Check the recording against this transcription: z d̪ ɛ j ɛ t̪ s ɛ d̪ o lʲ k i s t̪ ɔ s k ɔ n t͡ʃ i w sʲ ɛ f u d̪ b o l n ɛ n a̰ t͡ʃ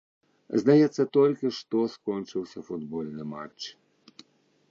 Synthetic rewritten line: z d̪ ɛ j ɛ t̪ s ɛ t̪ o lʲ k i ʃ t̪ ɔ s k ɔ n t͡ʃ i w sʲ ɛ f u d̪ b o l n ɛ m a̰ t͡ʃ